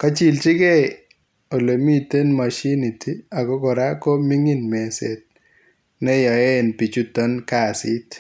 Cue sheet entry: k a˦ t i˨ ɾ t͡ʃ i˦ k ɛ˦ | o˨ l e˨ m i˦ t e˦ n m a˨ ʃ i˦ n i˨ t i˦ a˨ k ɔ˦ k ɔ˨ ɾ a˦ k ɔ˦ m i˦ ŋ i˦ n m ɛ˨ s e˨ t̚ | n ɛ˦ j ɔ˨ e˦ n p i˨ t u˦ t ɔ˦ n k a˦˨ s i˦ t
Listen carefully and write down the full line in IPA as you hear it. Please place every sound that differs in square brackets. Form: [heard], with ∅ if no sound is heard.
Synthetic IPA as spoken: k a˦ [t͡ʃ] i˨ [l] t͡ʃ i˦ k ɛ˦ | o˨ l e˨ m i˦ t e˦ n m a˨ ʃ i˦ n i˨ t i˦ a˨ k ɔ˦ k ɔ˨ ɾ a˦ k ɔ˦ m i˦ ŋ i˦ n m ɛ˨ s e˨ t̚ | n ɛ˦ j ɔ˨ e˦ n p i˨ [t͡ʃ] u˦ t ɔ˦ n k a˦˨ s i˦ t